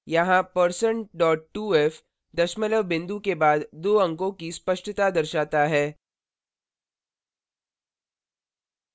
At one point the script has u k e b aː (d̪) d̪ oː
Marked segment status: correct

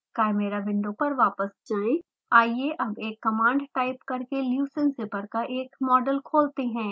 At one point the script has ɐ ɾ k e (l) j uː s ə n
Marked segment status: correct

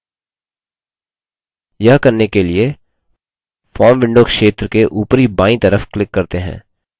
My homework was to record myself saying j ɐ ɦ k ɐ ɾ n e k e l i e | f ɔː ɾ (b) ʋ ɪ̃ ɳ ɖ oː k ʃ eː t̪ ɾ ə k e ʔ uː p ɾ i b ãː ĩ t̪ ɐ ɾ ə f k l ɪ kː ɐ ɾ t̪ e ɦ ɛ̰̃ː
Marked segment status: incorrect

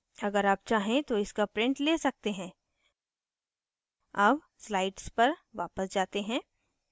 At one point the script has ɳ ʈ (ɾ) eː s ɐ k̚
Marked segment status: incorrect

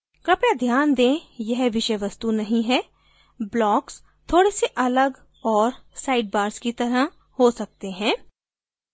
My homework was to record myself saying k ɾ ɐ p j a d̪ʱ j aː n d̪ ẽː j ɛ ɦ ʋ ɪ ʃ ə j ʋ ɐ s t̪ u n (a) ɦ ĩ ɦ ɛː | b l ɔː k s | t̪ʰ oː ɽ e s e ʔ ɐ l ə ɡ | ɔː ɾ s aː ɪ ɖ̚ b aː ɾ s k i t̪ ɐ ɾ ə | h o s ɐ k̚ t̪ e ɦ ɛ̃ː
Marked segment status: incorrect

